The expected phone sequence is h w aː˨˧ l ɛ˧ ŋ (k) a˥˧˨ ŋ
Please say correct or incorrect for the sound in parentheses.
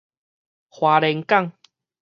correct